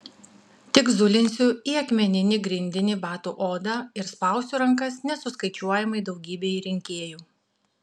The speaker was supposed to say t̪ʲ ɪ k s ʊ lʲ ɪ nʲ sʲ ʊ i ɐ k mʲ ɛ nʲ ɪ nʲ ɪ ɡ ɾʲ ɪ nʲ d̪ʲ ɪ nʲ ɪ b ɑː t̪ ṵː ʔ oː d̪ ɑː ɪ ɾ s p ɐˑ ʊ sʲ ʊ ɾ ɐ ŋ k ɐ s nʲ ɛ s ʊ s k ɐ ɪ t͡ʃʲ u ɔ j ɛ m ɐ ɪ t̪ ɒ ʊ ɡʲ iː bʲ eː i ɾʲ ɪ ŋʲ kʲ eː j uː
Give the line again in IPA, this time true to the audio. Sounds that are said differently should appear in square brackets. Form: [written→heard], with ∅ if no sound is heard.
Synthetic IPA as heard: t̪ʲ ɪ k [s→z] ʊ lʲ ɪ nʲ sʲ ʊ i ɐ k mʲ ɛ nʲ ɪ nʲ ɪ ɡ ɾʲ ɪ nʲ d̪ʲ ɪ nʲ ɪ b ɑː t̪ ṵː ʔ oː d̪ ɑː ɪ ɾ s p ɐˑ ʊ sʲ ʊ ɾ ɐ ŋ k ɐ s nʲ ɛ s ʊ s k ɐ ɪ t͡ʃʲ u ɔ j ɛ m ɐ ɪ [t̪→d̪] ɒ ʊ ɡʲ iː bʲ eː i ɾʲ ɪ ŋʲ kʲ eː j uː